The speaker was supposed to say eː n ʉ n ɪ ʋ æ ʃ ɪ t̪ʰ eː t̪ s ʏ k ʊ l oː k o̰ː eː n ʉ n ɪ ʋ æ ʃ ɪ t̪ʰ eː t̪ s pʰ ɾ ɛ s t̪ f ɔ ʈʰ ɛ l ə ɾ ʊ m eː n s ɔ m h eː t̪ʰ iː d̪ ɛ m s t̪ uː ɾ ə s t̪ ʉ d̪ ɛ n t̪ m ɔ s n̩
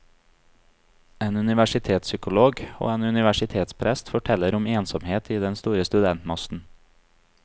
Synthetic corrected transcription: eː n ʉ n ɪ ʋ æ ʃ ɪ t̪ʰ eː t̪ s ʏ k ʊ l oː ɡ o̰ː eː n ʉ n ɪ ʋ æ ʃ ɪ t̪ʰ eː t̪ s pʰ ɾ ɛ s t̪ f ɔ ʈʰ ɛ l ə ɾ ʊ m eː n s ɔ m h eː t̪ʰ iː d̪ ɛ n s t̪ uː ɾ ə s t̪ ʉ d̪ ɛ n t̪ m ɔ s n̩